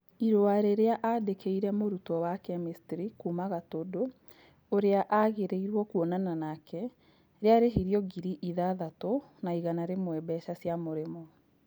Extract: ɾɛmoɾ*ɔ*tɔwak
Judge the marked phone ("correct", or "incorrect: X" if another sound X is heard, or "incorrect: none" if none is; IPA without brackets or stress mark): incorrect: u